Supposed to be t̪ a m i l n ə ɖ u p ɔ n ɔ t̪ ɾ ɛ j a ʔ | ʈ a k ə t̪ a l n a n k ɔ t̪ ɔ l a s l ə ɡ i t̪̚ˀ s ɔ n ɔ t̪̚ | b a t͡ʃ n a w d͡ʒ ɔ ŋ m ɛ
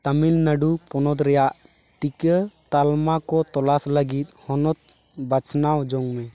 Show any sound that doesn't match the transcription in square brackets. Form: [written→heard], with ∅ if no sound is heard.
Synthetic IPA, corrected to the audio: t̪ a m i l n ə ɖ u p ɔ n ɔ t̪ ɾ ɛ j a ʔ | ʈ [a→i] k ə t̪ a l [n→m] a [n→∅] k ɔ t̪ ɔ l a s l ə ɡ i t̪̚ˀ [s→h] ɔ n ɔ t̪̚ | b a t͡ʃ n a w d͡ʒ ɔ ŋ m ɛ